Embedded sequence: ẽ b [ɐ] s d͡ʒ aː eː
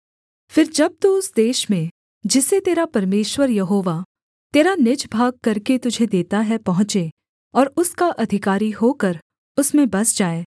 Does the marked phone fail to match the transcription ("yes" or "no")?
no